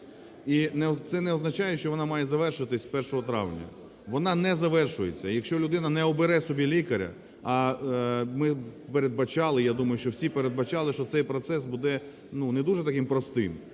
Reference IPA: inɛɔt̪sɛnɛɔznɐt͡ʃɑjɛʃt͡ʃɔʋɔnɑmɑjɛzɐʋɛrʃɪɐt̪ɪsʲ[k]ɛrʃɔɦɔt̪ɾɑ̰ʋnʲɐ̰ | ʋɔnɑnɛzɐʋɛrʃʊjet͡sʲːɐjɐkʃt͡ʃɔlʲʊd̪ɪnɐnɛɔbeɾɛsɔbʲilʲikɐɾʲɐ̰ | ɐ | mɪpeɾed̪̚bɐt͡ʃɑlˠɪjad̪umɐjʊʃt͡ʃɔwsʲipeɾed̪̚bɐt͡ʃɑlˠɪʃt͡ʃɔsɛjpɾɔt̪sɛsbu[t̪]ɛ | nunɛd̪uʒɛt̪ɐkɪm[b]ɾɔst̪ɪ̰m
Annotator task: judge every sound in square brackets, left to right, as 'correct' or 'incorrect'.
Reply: incorrect: p, incorrect: d̪, incorrect: p

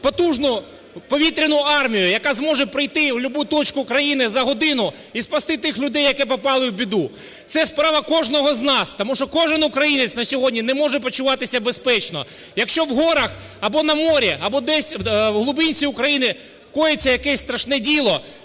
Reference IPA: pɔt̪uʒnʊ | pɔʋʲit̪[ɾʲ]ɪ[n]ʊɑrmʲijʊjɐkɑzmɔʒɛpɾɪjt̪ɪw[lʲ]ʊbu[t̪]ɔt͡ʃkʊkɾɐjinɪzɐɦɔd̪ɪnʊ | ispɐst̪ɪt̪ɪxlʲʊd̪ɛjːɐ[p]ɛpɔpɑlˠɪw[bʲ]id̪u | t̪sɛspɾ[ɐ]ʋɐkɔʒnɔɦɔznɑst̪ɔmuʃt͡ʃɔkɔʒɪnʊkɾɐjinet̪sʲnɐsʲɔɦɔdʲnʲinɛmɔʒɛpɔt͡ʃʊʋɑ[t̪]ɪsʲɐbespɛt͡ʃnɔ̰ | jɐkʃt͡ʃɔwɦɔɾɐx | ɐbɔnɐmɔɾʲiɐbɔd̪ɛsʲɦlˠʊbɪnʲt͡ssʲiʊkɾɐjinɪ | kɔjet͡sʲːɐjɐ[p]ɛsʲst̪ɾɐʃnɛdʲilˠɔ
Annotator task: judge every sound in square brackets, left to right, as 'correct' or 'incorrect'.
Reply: correct, correct, correct, correct, incorrect: k, correct, incorrect: ɑ, correct, incorrect: k

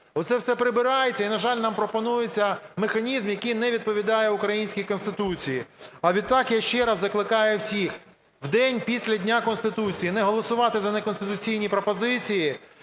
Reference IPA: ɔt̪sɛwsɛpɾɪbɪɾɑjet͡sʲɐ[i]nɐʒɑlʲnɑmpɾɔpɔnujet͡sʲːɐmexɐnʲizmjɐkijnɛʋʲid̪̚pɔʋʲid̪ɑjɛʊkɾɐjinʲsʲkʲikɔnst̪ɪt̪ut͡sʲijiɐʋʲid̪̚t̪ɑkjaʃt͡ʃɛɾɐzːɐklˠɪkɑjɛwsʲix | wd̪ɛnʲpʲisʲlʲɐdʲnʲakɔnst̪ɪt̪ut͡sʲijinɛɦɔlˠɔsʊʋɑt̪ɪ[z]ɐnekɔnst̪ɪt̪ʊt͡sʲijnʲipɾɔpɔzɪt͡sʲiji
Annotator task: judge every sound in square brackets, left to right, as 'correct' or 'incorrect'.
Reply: correct, correct

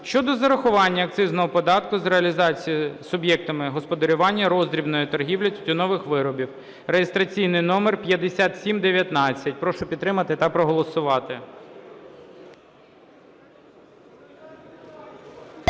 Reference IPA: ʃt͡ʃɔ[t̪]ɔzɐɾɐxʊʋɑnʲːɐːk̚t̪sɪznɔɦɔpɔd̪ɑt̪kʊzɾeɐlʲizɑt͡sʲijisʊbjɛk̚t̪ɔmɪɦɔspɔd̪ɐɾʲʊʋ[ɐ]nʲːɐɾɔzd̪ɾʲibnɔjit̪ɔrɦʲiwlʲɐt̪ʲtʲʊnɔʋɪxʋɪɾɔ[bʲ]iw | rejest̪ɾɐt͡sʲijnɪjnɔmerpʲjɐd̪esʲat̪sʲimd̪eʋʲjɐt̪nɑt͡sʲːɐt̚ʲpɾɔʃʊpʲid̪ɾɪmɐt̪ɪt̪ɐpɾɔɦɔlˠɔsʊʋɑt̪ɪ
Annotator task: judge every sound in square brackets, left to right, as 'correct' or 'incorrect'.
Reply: incorrect: d̪, incorrect: ɑ, correct

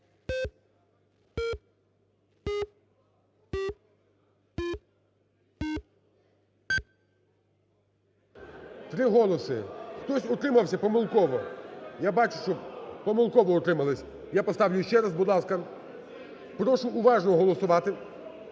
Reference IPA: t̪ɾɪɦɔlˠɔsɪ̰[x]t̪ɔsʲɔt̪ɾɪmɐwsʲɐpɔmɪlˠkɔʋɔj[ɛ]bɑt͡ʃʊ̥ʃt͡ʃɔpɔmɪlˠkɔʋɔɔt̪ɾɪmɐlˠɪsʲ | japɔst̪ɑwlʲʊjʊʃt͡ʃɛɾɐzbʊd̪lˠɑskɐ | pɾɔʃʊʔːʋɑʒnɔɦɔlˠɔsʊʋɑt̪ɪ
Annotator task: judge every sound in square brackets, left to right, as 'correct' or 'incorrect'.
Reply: correct, incorrect: a

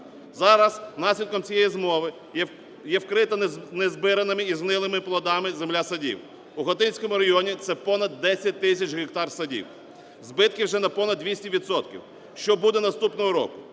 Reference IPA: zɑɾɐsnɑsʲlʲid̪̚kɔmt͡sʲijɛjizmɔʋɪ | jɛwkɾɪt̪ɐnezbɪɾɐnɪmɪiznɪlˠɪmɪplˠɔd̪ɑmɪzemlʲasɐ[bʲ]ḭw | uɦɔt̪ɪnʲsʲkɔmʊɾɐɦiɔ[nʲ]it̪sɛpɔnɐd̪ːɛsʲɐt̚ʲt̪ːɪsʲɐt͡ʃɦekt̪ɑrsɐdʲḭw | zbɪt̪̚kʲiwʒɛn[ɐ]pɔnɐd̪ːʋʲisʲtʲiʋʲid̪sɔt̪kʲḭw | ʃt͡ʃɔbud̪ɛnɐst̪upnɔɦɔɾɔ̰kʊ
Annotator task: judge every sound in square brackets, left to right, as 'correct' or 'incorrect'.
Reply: incorrect: dʲ, correct, correct

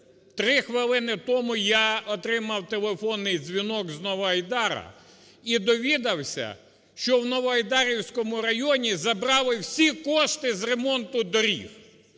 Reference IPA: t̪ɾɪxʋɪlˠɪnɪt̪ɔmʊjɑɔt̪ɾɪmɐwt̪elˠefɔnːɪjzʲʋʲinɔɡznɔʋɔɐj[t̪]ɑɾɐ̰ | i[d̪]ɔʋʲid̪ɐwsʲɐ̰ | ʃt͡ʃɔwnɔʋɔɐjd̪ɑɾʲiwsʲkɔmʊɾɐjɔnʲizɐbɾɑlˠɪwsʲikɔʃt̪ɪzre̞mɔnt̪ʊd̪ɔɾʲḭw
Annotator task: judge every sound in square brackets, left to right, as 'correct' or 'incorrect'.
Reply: incorrect: d̪, correct

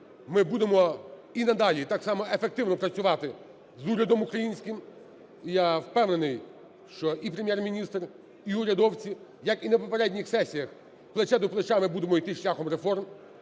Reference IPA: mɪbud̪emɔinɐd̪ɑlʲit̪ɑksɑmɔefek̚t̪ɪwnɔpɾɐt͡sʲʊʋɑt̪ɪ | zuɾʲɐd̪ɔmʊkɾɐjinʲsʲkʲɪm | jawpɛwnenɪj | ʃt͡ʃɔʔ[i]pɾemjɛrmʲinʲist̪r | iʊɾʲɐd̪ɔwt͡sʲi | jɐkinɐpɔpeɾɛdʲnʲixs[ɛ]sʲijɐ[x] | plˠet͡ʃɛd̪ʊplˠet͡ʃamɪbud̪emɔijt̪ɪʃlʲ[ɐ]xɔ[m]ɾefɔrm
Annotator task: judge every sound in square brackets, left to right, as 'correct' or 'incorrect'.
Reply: correct, correct, correct, incorrect: a, correct

